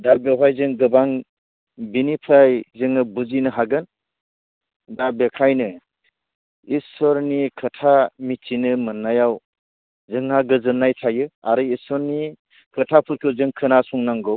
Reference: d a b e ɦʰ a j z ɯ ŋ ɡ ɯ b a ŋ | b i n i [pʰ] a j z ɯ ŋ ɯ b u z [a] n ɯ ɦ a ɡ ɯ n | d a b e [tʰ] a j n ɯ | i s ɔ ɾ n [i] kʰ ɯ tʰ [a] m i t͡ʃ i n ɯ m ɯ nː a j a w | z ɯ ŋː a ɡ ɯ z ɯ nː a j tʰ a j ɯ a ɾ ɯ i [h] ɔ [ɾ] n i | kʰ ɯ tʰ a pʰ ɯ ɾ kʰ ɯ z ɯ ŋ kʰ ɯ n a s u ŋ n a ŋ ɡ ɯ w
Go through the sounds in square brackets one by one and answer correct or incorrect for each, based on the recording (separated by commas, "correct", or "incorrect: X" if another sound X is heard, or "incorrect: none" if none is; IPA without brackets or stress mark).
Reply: correct, incorrect: i, incorrect: kʰ, correct, correct, incorrect: s, correct